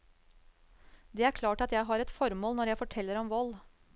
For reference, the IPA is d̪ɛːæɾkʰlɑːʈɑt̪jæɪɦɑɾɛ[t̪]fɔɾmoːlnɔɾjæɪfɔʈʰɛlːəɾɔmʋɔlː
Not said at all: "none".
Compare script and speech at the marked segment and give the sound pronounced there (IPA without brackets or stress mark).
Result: t̪